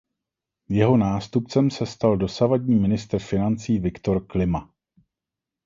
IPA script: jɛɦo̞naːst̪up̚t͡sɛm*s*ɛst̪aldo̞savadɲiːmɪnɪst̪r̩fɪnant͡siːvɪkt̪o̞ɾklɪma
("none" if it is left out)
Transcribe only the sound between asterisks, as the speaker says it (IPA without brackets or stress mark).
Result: s